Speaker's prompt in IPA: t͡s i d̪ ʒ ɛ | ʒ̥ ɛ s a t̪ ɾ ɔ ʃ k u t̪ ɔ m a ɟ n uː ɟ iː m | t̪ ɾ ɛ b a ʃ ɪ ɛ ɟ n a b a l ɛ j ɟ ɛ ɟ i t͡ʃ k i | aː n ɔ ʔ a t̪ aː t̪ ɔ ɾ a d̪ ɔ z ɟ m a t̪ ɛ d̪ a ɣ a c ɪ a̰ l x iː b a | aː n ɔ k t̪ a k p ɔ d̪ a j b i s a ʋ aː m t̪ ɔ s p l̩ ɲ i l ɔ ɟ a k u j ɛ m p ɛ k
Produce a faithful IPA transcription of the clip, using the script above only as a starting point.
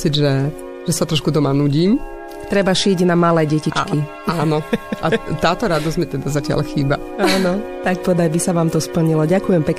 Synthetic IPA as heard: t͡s i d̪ ʒ ɛ | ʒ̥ ɛ s a t̪ ɾ ɔ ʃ k u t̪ ɔ m a n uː ɟ iː m | t̪ ɾ ɛ b a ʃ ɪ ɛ ɟ n a m a l ɛ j ɟ ɛ c i t͡ʃ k i | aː n ɔ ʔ a t̪ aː t̪ ɔ ɾ a d̪ ɔ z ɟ m i t̪ ɛ d̪ a z a c ɪ a̰ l x iː b a | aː n ɔ t̪ a k p ɔ d̪ a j b i s a ʋ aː m t̪ ɔ s p l̩ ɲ i l ɔ ɟ a k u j ɛ m p ɛ k